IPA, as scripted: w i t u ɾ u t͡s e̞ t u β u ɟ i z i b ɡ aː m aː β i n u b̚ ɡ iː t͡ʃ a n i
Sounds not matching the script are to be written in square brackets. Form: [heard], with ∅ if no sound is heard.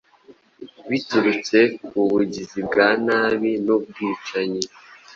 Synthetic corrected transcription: [β] i t u ɾ u t͡s e̞ [k] u β u ɟ i z i b ɡ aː [n] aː β i n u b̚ ɡ iː t͡ʃ a [ɲ] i